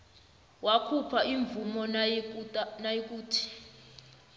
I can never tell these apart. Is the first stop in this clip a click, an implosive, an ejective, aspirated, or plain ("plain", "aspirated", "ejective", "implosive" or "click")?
aspirated